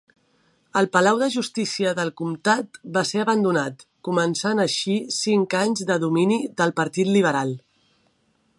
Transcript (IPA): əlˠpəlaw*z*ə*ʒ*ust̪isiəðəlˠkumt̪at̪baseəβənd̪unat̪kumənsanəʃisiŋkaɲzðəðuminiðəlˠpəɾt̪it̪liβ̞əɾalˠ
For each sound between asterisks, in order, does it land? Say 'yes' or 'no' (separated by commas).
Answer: no, yes